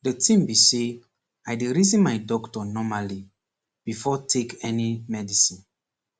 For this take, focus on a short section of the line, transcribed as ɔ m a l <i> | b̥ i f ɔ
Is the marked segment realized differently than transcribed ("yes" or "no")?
no